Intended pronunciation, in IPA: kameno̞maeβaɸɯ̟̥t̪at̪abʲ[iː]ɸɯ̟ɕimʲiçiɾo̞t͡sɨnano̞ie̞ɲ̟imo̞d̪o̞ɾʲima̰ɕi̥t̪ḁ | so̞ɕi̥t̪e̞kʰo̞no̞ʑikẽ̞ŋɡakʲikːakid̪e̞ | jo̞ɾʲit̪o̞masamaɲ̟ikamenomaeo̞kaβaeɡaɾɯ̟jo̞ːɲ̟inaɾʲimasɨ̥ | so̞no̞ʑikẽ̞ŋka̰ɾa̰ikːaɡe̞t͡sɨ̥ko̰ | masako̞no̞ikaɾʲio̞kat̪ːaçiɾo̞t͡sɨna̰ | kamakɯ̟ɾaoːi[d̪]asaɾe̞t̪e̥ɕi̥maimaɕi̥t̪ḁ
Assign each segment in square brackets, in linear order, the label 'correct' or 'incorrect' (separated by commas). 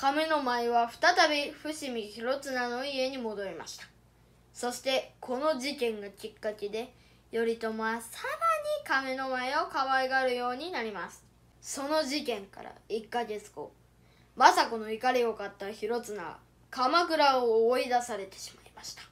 incorrect, correct